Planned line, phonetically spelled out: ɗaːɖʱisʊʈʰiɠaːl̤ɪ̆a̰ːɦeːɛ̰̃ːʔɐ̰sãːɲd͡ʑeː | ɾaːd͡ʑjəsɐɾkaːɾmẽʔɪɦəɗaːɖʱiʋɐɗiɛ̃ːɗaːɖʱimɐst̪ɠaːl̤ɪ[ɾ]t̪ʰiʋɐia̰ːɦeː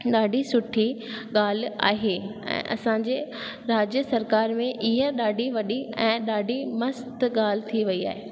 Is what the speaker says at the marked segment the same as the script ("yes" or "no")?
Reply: no